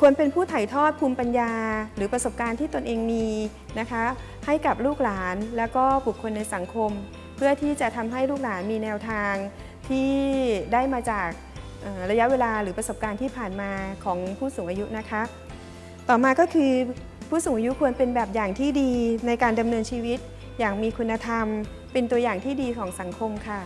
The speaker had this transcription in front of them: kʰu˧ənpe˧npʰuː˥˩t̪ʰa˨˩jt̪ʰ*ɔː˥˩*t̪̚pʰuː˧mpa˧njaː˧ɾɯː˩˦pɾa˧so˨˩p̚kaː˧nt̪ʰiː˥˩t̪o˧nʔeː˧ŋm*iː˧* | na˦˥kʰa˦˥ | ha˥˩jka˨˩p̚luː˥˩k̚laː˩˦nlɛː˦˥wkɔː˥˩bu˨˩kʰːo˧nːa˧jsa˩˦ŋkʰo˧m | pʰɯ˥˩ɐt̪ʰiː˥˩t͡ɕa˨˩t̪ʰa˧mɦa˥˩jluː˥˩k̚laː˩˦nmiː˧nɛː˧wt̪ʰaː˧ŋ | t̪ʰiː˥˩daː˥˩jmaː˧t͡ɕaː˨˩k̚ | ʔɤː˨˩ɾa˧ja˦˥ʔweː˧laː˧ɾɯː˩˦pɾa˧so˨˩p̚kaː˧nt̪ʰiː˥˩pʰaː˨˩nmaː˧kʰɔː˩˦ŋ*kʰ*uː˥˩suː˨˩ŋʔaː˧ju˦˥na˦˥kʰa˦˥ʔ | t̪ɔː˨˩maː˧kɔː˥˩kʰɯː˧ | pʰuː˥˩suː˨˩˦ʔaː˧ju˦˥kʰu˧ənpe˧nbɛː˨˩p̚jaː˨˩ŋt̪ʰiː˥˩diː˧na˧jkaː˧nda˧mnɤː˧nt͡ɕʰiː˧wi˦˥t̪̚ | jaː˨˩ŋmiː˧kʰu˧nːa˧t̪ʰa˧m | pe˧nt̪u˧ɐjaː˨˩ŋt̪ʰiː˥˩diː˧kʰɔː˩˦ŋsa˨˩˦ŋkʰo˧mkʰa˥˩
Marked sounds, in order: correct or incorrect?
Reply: correct, correct, incorrect

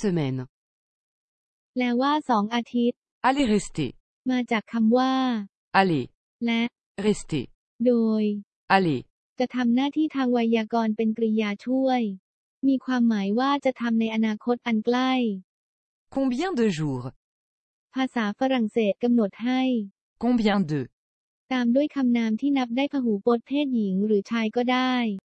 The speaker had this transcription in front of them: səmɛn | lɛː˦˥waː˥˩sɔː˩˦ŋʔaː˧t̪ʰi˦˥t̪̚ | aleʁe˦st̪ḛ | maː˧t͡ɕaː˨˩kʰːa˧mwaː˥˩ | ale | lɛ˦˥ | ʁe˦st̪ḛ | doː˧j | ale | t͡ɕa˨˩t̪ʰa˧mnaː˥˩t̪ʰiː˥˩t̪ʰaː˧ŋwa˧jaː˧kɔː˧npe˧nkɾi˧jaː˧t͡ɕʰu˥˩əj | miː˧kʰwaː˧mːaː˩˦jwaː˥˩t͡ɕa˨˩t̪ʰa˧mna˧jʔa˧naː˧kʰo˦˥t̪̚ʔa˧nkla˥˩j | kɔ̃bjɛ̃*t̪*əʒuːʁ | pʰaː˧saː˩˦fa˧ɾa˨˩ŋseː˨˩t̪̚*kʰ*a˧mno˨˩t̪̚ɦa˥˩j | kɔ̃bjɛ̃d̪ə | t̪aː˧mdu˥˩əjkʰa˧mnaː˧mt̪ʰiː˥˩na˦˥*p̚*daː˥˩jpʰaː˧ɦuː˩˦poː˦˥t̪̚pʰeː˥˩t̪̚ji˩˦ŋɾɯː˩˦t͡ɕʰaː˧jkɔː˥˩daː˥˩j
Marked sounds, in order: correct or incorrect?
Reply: incorrect, incorrect, correct

